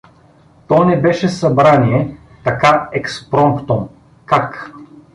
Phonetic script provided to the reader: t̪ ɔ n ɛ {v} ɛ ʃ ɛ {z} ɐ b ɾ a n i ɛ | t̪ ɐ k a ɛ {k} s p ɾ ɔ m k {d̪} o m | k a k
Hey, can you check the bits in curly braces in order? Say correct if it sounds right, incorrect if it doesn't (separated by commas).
incorrect, incorrect, correct, incorrect